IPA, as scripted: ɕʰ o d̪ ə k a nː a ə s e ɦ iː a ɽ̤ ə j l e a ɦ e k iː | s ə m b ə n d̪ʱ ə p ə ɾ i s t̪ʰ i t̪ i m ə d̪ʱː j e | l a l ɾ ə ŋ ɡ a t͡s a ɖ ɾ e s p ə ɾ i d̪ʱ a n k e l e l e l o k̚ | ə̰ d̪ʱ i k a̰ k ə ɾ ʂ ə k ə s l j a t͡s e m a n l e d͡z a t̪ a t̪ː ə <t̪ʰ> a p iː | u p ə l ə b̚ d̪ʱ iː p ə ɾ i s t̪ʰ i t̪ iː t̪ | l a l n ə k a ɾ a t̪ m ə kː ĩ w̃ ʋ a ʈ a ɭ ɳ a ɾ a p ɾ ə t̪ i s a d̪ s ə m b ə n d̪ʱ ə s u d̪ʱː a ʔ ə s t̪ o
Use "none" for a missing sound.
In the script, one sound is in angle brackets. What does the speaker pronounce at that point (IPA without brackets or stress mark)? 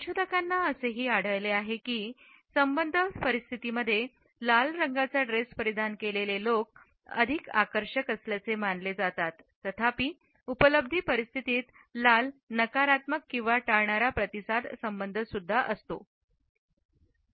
t̪ʰ